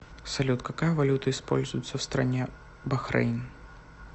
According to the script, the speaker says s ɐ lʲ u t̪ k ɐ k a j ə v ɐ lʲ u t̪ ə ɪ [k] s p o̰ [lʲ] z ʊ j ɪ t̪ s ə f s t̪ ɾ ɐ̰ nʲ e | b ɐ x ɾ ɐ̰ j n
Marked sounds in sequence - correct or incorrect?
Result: incorrect: none, correct

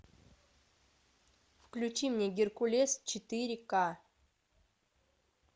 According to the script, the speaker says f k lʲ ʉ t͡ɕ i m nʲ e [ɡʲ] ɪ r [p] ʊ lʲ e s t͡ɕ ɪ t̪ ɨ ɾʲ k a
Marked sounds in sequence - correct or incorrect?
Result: correct, incorrect: k

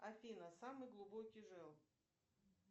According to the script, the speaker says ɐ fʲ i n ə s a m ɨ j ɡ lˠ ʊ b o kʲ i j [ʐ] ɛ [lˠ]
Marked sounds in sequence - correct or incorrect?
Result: correct, correct

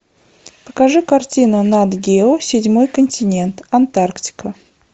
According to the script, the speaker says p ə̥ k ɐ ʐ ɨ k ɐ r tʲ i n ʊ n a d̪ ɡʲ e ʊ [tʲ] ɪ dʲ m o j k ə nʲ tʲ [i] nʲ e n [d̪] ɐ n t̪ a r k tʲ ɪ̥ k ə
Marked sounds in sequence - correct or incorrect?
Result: incorrect: sʲ, incorrect: ɪ, incorrect: t̪

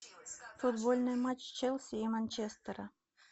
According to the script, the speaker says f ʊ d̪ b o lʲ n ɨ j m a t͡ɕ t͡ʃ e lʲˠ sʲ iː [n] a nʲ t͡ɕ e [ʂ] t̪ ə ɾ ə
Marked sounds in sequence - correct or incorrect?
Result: incorrect: m, incorrect: s

